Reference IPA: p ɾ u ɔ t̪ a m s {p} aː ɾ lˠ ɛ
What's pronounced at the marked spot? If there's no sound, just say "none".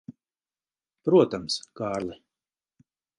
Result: k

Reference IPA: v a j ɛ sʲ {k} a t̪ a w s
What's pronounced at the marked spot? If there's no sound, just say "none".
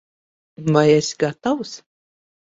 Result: ɡ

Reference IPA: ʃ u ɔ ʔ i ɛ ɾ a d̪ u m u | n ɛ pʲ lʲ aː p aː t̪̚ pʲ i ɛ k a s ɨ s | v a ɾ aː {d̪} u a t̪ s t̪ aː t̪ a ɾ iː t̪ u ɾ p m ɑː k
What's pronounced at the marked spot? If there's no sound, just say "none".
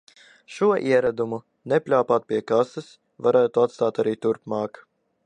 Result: t̪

